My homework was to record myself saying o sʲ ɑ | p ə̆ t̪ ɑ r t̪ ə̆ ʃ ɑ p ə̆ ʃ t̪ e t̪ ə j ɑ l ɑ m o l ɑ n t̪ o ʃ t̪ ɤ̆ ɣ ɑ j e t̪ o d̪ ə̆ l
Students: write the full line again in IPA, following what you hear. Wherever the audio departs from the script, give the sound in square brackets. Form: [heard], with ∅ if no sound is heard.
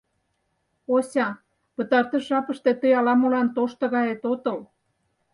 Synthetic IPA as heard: o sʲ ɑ | p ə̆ t̪ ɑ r t̪ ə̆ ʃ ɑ p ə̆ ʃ t̪ e t̪ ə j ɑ l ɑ m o l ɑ n t̪ o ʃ t̪ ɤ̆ ɣ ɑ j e t̪ o [t̪] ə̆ l